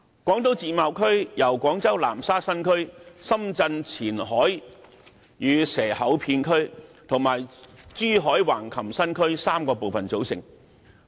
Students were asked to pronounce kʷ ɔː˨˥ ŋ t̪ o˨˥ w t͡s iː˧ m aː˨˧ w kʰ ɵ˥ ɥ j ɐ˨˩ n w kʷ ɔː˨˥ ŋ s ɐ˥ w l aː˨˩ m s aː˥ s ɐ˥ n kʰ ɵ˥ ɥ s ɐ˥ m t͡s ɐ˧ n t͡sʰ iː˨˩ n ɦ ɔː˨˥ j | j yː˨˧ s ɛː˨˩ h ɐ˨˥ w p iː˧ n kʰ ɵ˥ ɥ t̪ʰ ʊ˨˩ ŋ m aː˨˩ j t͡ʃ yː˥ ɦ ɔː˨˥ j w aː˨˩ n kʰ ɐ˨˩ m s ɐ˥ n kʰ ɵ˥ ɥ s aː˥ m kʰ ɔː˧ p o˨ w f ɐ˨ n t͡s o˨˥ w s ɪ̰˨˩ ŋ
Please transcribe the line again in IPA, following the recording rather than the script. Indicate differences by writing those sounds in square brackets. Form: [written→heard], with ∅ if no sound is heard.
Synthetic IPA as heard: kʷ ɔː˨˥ ŋ t̪ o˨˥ w t͡s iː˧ m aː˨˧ w kʰ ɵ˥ ɥ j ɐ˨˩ [n→∅] w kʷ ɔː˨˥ ŋ [s→t͡s] ɐ˥ w l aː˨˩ m s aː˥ s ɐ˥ n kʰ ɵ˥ ɥ s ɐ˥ m t͡s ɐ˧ n t͡sʰ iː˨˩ n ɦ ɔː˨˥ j | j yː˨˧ s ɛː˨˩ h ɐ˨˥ w [p→pʰ] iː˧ n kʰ ɵ˥ ɥ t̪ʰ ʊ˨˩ ŋ m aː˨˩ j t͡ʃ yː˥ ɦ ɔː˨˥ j w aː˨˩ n kʰ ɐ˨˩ m s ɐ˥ n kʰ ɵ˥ ɥ s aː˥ m [kʰ→k] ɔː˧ p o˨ w f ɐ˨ n t͡s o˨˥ w s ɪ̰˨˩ ŋ